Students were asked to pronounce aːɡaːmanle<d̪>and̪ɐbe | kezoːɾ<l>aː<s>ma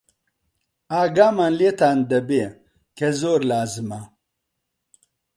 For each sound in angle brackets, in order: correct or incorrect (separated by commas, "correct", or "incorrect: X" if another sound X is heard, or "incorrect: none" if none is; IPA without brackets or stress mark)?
incorrect: t̪, correct, incorrect: z